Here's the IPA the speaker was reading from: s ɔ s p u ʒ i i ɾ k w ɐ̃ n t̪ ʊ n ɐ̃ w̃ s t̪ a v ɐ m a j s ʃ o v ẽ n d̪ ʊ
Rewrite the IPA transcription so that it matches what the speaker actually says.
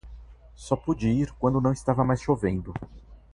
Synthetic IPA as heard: s ɔ p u d͡ʒ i i ɾ k w ɐ̃ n d̪ ʊ n ɐ̃ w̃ s t̪ a v ɐ m a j s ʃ o v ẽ n d̪ ʊ